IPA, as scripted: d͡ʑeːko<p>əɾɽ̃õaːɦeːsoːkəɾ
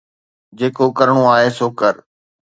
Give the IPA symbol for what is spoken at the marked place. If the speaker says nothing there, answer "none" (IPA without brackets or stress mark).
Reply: k